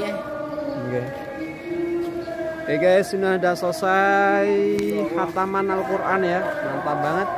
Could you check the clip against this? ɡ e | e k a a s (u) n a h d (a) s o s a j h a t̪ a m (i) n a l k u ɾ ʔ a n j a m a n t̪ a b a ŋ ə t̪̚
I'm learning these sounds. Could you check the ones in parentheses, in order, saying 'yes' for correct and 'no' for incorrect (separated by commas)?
yes, yes, no